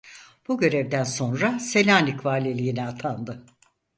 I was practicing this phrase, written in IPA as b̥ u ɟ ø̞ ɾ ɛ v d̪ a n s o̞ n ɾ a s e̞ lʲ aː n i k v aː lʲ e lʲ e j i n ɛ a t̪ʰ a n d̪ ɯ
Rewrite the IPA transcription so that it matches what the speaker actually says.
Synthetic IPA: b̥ u ɟ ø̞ ɾ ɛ v d̪ æ n s o̞ n ɾ a s e̞ lʲ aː n i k v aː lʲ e lʲ i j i n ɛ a t̪ʰ a n d̪ ɯ